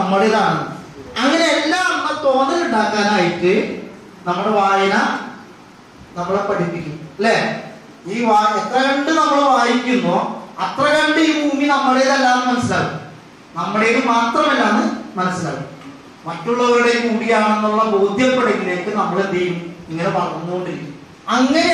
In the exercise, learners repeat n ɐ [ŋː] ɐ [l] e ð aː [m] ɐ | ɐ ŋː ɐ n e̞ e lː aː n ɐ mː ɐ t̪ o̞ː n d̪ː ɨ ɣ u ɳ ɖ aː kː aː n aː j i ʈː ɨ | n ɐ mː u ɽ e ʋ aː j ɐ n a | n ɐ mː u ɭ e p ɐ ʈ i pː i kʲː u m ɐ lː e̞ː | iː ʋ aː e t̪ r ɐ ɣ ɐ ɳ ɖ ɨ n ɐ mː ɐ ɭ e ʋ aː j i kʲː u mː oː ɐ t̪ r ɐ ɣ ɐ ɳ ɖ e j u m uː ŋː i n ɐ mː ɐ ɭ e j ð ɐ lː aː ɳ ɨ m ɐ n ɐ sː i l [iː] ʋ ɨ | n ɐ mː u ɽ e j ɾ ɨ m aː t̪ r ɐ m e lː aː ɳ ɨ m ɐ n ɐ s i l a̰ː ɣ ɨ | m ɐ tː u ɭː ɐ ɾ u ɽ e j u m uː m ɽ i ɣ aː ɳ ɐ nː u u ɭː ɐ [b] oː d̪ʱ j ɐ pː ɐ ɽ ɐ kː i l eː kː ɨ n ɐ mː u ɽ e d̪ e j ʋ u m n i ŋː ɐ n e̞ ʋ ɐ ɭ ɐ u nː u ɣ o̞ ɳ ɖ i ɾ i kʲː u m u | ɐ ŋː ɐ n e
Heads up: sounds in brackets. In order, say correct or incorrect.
incorrect: mː, incorrect: ɽ, incorrect: ɳ, incorrect: aː, correct

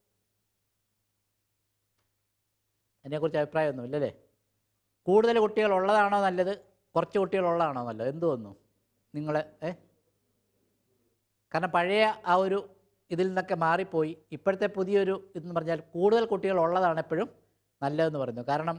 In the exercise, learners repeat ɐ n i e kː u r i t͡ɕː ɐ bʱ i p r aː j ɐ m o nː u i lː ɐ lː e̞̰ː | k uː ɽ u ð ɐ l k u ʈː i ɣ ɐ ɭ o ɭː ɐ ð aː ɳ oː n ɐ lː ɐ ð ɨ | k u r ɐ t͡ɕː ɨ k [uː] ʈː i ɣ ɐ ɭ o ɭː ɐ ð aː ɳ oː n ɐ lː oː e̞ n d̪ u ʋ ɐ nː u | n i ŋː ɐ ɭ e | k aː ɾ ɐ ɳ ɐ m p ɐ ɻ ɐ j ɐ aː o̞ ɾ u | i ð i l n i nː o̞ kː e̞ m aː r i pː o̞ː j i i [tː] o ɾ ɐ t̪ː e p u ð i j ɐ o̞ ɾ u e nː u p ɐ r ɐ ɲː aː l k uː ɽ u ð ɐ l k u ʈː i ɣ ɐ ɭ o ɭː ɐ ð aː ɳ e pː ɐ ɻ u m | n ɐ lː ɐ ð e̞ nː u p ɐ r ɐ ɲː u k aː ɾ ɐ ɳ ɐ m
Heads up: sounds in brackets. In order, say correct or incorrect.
incorrect: u, incorrect: pː

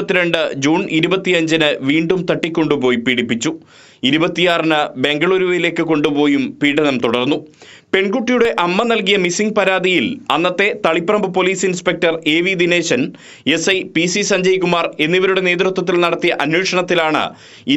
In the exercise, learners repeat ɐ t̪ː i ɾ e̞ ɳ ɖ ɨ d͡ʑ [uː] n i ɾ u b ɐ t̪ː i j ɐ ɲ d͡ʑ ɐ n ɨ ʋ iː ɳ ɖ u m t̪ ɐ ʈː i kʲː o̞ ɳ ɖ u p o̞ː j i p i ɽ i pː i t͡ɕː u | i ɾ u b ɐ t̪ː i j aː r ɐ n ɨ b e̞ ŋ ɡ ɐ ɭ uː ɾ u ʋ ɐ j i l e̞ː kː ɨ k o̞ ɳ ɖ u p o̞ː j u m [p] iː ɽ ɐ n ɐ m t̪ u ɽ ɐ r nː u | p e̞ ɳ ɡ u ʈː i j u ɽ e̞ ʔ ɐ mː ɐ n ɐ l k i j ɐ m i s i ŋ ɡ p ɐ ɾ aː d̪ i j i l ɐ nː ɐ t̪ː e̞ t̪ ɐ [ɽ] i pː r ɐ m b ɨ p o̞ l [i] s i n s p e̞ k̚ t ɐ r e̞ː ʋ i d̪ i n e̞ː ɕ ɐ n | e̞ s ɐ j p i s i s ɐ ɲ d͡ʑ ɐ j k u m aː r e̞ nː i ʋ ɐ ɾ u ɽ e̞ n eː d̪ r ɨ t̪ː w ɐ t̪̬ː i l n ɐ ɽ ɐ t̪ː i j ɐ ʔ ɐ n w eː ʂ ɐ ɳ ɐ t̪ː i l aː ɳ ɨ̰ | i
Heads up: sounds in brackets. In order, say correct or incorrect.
correct, correct, incorrect: ɭ, incorrect: iː

